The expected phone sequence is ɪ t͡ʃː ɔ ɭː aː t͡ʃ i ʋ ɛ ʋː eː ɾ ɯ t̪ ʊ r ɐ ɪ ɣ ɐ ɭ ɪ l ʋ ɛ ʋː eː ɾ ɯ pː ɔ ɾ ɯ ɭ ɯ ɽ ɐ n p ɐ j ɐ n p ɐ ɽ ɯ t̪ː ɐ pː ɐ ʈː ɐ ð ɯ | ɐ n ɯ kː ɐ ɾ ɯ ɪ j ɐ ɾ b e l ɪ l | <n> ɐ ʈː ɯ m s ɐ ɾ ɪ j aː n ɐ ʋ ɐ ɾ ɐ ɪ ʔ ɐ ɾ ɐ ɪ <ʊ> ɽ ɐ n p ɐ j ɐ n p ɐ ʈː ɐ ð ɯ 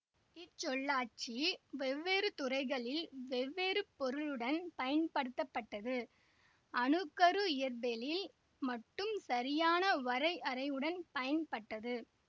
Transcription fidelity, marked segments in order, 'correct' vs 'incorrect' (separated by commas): incorrect, incorrect